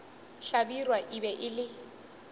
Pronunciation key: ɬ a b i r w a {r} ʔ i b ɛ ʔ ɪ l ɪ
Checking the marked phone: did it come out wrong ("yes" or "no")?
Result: yes